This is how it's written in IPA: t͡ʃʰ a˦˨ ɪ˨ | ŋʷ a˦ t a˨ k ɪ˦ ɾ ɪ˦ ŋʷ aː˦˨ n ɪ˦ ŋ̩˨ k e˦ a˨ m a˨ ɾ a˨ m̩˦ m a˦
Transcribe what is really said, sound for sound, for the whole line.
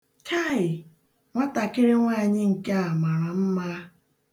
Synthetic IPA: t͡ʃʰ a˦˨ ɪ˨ | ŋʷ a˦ t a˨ k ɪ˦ ɾ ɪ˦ ŋʷ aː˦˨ ɲ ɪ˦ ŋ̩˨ k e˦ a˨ m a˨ ɾ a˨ m̩˦ m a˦